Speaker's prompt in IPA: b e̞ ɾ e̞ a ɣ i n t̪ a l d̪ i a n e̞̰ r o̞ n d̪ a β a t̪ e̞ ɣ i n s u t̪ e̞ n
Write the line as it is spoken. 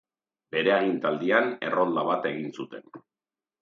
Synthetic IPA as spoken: b e̞ ɾ e̞ a ɣ i n t̪ a l d̪ i a n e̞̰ r o̞ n d̪ a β a t̪ e̞ ɣ i n s u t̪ e̞ n